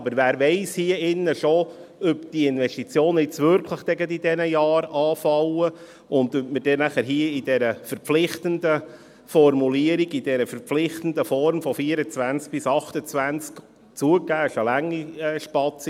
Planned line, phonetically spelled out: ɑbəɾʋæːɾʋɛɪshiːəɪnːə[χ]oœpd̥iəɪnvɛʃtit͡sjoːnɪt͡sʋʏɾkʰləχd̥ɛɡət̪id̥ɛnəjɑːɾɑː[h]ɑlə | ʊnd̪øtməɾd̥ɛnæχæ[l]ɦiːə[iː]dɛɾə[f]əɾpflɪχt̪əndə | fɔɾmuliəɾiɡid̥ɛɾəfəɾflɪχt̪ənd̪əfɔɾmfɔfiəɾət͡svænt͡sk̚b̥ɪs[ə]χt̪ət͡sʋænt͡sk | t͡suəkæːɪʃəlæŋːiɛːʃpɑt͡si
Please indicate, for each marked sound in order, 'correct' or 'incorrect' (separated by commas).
incorrect, incorrect, incorrect, incorrect, correct, incorrect